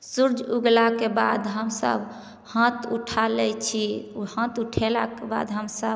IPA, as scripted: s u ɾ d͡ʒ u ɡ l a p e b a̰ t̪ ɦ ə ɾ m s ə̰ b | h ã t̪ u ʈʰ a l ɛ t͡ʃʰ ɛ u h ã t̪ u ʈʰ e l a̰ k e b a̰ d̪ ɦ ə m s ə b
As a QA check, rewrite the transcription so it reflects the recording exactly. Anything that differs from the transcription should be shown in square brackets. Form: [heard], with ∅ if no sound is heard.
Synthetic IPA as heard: s u ɾ d͡ʒ u ɡ l a [k] e b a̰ [d̪] ɦ ə [∅] m s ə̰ b | h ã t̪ u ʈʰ a l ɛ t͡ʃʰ [i] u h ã t̪ u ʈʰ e l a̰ k e b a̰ d̪ ɦ ə m s ə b